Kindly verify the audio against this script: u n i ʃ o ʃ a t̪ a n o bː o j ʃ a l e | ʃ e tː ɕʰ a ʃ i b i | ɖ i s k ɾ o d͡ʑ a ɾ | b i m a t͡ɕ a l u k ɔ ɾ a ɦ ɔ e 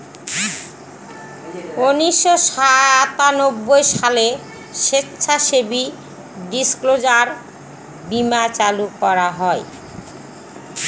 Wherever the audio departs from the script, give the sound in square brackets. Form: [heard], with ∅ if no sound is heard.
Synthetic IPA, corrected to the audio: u n i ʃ o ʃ a t̪ a n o bː o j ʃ a l e | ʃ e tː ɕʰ a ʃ [e] b i | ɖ i s k [l] o d͡ʑ a ɾ | b i m a t͡ɕ a l u k ɔ ɾ a ɦ ɔ e